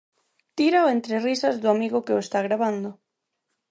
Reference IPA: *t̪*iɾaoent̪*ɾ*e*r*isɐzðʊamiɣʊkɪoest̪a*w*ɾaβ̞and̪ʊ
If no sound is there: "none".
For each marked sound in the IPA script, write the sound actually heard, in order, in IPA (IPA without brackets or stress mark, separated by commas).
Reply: t̪, ɾ, r, ɣ